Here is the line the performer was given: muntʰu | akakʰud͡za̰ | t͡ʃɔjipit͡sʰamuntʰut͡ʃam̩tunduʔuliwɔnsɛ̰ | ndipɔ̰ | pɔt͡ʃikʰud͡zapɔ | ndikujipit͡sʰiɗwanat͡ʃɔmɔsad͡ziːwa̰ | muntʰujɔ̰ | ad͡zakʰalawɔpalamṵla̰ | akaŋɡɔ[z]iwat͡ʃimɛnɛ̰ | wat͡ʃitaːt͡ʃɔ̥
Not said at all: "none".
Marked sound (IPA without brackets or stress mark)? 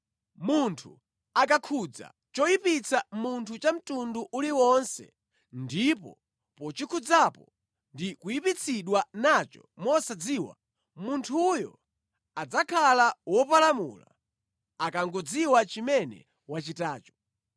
d͡z